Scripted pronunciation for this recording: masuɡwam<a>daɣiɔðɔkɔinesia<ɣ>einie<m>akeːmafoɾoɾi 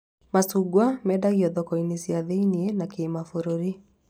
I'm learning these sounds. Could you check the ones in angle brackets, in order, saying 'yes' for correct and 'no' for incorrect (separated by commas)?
no, no, no